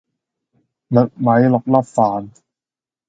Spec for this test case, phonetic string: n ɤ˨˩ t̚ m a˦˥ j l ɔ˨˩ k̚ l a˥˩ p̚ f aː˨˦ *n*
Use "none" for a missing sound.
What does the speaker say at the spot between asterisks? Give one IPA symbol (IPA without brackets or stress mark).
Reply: n